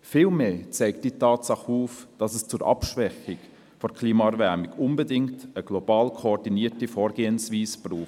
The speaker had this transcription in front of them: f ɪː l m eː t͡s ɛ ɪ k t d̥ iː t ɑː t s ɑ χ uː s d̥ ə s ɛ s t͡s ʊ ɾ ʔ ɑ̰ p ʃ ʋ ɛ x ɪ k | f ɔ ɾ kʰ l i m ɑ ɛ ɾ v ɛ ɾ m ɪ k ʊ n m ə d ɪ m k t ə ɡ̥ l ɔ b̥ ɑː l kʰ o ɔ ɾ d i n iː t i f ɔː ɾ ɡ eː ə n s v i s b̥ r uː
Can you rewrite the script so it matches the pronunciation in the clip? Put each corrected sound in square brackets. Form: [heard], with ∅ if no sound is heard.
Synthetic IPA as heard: f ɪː l m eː t͡s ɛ ɪ k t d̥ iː t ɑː t s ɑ χ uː [f] d̥ [ɑ] s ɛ s t͡s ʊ ɾ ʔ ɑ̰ p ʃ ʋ ɛ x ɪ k | f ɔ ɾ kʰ l [iː] m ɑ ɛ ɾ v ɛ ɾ m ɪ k ʊ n [b] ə d ɪ [ŋ] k t ə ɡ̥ l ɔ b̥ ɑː l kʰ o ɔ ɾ d i n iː t i f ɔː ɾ ɡ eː ə n s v [iː] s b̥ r uː